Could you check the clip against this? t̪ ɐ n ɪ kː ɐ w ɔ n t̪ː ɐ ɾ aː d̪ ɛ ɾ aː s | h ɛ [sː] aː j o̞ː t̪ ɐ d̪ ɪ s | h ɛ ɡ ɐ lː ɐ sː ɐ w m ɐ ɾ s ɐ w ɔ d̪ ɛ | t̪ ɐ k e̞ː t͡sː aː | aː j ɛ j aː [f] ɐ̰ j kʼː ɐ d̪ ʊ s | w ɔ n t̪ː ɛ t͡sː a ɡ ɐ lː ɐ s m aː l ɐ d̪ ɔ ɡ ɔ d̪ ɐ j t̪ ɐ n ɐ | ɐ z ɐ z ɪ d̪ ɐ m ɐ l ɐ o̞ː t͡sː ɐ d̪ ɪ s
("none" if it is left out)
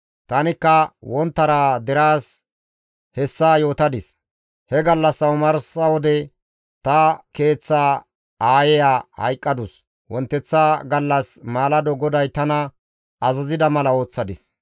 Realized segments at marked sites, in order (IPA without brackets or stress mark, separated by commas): sː, h